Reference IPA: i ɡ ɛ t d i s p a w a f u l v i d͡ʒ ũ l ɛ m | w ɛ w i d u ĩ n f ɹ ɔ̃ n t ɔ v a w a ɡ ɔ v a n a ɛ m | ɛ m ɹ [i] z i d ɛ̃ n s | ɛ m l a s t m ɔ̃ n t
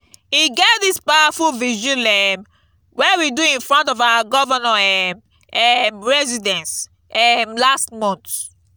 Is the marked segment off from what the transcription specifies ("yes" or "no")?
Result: yes